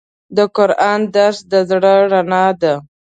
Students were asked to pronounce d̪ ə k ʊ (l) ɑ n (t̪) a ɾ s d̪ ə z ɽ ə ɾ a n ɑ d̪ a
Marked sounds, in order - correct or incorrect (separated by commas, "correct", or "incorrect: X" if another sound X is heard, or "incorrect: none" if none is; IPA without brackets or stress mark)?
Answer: incorrect: ɾ, incorrect: d̪